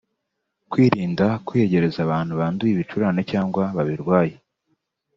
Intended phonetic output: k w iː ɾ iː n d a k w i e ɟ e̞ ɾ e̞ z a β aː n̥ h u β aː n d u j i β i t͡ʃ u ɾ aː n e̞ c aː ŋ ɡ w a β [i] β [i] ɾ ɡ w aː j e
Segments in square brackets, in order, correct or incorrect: incorrect: a, correct

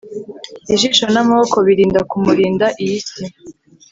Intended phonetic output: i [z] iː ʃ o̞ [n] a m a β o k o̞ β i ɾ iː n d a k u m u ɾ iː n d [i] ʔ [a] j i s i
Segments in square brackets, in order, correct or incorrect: incorrect: ʒ, correct, incorrect: a, incorrect: i

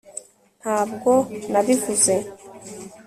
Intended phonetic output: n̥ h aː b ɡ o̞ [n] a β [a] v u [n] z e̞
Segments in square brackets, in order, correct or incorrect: correct, incorrect: i, incorrect: none

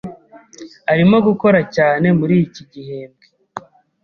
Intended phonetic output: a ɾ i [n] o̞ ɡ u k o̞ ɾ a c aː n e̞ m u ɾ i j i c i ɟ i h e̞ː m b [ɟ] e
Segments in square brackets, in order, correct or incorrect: incorrect: m, incorrect: ɡ

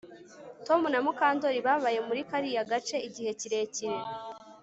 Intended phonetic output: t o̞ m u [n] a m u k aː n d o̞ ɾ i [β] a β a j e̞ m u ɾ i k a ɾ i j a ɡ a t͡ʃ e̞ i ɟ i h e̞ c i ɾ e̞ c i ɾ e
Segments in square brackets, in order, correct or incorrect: correct, correct

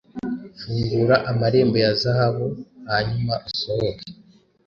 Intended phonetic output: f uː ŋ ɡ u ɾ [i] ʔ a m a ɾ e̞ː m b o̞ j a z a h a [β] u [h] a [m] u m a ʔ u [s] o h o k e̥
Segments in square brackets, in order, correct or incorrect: incorrect: a, correct, correct, incorrect: ɲ, correct

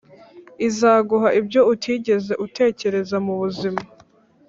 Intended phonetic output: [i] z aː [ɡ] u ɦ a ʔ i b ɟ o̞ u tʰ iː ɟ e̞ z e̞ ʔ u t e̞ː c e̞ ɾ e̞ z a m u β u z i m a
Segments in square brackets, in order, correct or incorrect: correct, correct

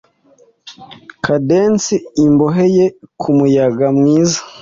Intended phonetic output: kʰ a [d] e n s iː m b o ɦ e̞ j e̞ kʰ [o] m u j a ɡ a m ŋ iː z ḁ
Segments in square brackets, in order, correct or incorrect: correct, incorrect: u

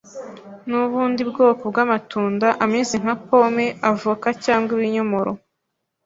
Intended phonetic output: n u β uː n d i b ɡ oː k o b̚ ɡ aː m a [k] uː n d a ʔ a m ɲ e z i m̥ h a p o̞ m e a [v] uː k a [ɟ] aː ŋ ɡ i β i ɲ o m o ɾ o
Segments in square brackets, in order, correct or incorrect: incorrect: t, correct, incorrect: c

